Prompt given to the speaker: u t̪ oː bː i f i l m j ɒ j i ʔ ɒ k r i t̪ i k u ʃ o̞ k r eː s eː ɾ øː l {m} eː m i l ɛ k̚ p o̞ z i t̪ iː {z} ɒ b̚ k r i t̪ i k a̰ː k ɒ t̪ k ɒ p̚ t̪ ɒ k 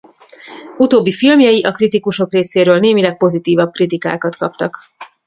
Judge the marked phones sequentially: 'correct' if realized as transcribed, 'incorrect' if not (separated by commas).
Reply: incorrect, incorrect